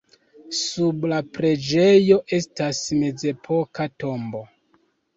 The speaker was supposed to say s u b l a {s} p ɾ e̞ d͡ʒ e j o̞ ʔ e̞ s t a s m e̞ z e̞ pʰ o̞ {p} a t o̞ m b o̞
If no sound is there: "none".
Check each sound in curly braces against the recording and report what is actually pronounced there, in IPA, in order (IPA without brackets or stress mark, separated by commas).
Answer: none, k